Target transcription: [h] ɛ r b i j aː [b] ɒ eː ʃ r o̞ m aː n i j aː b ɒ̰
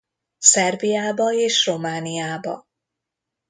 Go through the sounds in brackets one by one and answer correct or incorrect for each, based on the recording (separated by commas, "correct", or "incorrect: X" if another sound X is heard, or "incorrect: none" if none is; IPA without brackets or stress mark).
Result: incorrect: s, correct